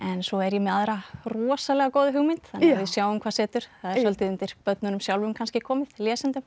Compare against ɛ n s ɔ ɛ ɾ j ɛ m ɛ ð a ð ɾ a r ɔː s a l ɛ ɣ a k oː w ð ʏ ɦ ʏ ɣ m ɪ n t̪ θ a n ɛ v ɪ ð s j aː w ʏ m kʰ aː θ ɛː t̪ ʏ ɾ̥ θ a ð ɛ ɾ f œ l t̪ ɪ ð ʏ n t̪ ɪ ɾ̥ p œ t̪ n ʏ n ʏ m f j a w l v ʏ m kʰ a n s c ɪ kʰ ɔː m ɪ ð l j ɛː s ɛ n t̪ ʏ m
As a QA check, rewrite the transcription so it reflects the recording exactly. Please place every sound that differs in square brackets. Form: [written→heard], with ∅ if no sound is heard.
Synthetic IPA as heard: ɛ n s ɔ ɛ ɾ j ɛ m ɛ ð a ð ɾ a r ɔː s a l ɛ ɣ a k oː w ð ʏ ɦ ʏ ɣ m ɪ n t̪ θ a n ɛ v ɪ ð s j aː w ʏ m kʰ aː [θ→s] ɛː t̪ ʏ ɾ̥ θ a ð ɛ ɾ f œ l t̪ ɪ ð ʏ n t̪ ɪ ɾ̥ p œ t̪ n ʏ n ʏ m [f→s] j a w l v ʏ m kʰ a n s c ɪ kʰ ɔː m ɪ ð l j ɛː s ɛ n t̪ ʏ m